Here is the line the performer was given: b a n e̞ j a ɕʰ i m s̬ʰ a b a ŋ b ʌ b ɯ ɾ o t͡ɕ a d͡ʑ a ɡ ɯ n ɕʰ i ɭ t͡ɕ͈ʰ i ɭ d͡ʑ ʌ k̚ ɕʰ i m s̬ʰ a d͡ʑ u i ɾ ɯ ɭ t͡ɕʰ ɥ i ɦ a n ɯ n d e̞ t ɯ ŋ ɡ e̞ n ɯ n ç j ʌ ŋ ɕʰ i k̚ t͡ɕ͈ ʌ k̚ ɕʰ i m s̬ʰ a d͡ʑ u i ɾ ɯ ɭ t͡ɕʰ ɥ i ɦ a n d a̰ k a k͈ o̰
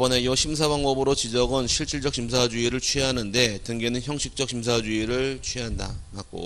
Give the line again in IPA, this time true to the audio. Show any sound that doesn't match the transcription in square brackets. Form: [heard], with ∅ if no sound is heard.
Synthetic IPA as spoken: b [ʌ] n e̞ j [ʌ] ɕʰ i m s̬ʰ a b a ŋ b ʌ b ɯ ɾ o t͡ɕ [i] d͡ʑ [ʌ] ɡ ɯ n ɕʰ i ɭ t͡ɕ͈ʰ i ɭ d͡ʑ ʌ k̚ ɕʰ i m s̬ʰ a d͡ʑ u i ɾ ɯ ɭ t͡ɕʰ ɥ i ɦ a n ɯ n d e̞ t ɯ ŋ ɡ e̞ n ɯ n ç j ʌ ŋ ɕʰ i k̚ t͡ɕ͈ ʌ k̚ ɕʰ i m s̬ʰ a d͡ʑ u i ɾ ɯ ɭ t͡ɕʰ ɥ i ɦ a n d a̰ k a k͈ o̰